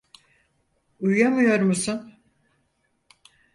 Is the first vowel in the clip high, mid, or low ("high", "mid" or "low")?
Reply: high